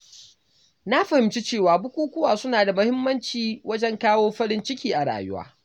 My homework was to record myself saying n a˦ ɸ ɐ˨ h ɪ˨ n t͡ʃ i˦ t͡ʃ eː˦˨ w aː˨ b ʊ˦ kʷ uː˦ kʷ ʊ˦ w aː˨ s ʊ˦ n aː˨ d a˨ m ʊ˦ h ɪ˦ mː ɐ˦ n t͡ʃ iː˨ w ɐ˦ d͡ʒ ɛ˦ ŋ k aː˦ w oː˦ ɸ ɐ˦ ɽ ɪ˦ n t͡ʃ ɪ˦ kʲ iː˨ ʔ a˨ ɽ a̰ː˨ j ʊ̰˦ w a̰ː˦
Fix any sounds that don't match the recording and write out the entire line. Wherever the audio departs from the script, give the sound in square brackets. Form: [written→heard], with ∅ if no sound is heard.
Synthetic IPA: n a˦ ɸ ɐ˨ h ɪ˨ [n→m] t͡ʃ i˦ t͡ʃ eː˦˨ w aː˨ b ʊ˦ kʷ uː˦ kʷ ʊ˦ w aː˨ s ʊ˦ n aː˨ d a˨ m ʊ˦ h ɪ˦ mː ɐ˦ n t͡ʃ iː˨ w ɐ˦ d͡ʒ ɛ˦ ŋ k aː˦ w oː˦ ɸ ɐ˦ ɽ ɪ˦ n t͡ʃ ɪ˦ kʲ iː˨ ʔ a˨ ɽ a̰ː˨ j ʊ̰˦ w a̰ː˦